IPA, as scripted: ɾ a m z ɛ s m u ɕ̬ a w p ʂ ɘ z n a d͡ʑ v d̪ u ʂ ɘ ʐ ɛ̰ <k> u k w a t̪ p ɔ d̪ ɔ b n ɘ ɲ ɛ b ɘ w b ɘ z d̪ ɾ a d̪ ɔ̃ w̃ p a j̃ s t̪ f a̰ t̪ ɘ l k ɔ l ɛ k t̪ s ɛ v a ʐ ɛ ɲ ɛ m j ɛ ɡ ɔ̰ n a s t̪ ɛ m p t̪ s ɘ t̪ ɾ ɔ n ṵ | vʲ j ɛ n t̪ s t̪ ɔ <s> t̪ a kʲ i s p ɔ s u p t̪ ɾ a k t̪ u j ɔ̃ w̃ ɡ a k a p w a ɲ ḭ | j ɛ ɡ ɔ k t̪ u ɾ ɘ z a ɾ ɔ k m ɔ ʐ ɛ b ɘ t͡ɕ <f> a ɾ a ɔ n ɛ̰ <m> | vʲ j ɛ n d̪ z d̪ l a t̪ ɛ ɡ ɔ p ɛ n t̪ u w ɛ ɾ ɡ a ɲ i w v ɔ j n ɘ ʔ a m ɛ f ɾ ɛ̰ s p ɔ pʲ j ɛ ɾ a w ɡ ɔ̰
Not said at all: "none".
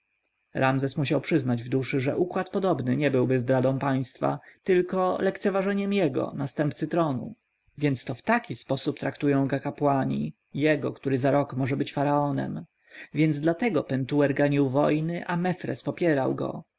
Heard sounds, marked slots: ʔ, f, f, m

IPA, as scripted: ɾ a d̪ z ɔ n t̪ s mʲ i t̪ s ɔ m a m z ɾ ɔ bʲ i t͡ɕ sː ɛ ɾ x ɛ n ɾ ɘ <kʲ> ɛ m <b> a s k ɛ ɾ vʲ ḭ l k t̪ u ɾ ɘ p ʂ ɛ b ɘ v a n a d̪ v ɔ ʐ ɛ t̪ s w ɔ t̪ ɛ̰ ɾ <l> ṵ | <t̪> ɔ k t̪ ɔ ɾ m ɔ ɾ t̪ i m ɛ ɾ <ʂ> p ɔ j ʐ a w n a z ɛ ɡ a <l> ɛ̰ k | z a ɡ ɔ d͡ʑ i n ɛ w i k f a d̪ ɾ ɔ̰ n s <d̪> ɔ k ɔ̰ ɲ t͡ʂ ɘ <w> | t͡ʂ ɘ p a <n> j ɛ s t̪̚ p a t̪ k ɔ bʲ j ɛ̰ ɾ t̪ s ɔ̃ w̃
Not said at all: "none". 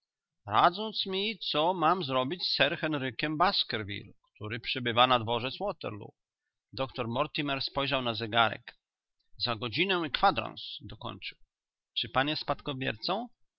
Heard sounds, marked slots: kʲ, b, l, d̪, s, ɾ, d̪, w, n

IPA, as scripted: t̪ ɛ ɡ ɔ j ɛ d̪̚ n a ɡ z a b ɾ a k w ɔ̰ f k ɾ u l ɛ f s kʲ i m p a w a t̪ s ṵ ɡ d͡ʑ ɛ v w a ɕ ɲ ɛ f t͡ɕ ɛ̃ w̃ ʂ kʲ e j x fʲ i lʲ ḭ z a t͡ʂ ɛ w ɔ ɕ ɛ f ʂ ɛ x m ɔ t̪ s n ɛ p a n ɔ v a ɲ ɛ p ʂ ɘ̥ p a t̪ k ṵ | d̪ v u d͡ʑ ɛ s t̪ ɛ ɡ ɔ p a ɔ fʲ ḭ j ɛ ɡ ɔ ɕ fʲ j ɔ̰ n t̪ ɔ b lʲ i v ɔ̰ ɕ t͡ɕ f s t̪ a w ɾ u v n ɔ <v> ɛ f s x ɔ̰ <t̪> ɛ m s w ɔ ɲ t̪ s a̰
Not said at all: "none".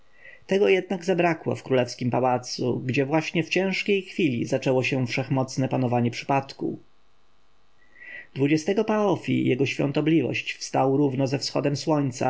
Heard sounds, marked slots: z, d̪

